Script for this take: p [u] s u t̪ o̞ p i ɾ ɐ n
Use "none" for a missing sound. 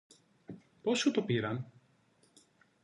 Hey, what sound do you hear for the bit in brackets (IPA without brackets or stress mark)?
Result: o